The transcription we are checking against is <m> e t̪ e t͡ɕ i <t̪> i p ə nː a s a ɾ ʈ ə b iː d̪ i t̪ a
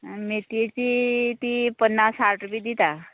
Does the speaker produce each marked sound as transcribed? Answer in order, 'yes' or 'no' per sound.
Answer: yes, yes

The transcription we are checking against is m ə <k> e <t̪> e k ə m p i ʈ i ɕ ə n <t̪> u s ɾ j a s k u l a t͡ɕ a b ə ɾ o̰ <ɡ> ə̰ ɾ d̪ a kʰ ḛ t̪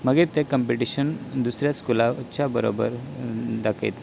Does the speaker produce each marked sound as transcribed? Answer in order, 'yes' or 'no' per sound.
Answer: no, yes, no, no

